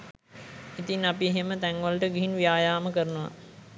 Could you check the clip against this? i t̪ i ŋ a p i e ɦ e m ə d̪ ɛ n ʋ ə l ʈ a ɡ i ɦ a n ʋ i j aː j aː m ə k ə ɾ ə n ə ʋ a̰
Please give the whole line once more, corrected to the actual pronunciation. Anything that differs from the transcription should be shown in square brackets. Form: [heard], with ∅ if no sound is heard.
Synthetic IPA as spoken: i t̪ i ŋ a p i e ɦ e m ə [t̪] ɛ [ŋ] ʋ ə l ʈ [ə] ɡ i ɦ [i] n ʋ i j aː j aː m ə k ə ɾ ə n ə ʋ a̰